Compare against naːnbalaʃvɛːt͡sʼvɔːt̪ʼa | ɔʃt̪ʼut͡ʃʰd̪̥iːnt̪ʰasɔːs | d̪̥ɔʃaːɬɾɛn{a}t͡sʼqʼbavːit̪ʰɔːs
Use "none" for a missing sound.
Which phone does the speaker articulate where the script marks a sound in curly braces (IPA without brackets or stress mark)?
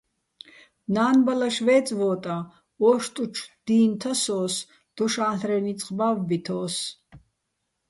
i